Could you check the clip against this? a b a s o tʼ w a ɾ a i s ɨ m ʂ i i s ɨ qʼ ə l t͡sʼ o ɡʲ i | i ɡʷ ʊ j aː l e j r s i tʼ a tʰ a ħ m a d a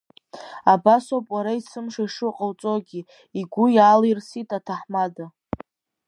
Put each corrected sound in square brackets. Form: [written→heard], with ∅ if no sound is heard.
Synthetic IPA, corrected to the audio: a b a s o [tʼ→pʼ] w a ɾ a i s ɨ m ʂ [i→a] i [s→ʂ] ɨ qʼ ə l t͡sʼ o ɡʲ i | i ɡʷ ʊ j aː l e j r s i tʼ a tʰ a ħ m a d a